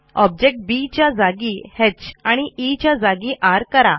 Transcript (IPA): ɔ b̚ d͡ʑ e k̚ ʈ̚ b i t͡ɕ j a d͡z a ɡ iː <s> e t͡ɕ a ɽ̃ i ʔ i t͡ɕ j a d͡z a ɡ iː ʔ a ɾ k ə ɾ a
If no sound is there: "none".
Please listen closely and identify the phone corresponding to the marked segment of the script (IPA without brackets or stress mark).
h